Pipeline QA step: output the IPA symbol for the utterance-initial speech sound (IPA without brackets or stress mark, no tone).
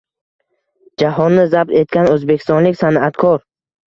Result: d͡ʒ